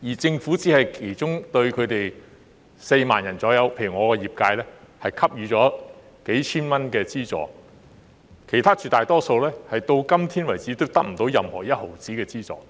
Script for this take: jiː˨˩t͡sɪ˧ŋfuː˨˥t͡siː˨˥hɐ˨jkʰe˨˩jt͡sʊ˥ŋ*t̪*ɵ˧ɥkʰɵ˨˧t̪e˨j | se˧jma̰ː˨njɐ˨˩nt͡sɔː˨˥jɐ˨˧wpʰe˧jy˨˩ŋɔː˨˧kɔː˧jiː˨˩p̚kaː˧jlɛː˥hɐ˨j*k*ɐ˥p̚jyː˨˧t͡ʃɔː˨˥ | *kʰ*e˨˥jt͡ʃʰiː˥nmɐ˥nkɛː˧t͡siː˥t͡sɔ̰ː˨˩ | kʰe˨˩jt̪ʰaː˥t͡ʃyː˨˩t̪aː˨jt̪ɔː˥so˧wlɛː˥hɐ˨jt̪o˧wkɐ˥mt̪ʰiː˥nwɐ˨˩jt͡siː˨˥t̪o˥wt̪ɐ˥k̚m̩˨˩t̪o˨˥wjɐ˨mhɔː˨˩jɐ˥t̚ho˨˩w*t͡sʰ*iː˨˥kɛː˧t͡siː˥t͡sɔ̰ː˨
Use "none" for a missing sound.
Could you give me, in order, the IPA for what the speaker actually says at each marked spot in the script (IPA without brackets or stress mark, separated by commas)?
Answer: t̪, kʰ, k, t͡s